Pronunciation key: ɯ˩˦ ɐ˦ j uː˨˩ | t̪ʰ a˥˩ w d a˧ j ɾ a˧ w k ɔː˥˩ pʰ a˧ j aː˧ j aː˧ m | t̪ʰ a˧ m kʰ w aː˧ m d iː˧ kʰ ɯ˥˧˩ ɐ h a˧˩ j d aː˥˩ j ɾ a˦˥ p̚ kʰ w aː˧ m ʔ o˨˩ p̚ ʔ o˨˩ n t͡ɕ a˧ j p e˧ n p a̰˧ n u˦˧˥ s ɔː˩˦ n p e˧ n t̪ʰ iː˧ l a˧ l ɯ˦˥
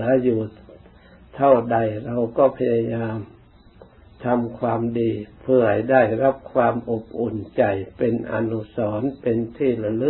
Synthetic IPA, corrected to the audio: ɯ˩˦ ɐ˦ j uː˨˩ | t̪ʰ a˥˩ w d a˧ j ɾ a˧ w k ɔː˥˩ pʰ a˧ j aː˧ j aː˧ m | t̪ʰ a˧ m kʰ w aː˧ m d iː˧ pʰ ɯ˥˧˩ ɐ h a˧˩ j d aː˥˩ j ɾ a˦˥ p̚ kʰ w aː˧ m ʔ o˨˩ p̚ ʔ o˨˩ n t͡ɕ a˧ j p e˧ n ʔ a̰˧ n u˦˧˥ s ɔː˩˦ n p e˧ n t̪ʰ iː˥˩ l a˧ l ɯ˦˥